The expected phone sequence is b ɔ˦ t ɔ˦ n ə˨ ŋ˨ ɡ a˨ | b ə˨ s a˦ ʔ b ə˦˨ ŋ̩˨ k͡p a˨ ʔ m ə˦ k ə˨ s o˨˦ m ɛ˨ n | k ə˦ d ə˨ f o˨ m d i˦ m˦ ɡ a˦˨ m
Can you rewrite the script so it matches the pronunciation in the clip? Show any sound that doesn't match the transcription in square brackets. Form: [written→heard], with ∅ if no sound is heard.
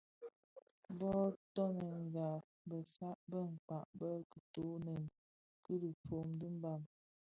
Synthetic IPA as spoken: b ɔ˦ t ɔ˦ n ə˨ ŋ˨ ɡ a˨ | b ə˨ s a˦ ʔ b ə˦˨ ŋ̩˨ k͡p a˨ ʔ [m→b] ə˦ k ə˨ [s→t] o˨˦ [m→n] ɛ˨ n | k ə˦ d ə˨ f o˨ m d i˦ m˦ [ɡ→b] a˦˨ m